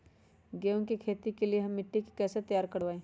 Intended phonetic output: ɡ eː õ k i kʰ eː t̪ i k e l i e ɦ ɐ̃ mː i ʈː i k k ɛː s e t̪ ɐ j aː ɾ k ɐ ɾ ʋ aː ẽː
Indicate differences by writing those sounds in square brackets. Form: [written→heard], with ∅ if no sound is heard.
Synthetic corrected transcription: ɡ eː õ k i kʰ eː t̪ i k e l i e ɦ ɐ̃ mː [i→ɪ] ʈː i k k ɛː s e t̪ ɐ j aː ɾ k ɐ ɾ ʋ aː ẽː